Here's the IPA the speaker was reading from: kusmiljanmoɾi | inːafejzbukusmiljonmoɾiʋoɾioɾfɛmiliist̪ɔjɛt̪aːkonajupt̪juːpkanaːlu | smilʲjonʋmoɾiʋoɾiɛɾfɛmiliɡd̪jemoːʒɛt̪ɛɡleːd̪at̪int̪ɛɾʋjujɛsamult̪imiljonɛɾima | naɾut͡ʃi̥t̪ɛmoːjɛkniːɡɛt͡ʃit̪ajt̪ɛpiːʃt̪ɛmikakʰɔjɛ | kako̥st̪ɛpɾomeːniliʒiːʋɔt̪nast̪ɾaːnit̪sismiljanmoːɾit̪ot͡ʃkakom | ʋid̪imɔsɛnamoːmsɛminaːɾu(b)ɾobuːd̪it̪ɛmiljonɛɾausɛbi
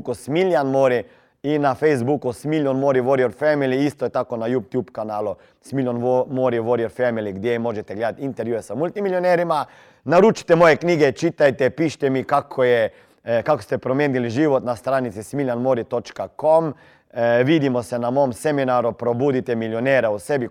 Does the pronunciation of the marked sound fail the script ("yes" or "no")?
yes